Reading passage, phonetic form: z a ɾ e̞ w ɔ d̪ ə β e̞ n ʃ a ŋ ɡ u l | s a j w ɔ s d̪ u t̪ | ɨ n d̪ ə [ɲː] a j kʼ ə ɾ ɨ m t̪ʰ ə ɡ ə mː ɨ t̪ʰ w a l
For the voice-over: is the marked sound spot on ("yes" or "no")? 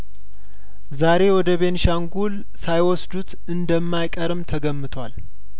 no